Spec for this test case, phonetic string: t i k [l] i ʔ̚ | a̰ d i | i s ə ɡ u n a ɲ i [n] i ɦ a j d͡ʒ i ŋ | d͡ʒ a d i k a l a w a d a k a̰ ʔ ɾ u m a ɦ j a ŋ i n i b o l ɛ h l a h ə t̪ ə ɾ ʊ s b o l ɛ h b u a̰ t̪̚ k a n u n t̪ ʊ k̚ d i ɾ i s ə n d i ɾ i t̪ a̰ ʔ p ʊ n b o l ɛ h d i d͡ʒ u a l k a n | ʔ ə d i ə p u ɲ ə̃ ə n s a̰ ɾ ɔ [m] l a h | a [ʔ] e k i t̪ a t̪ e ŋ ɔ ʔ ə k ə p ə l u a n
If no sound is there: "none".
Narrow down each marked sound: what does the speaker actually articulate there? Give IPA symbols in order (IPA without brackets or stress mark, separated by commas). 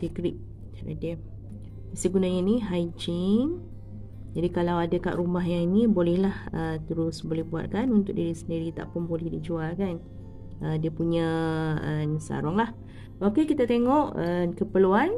ɾ, n, ŋ, k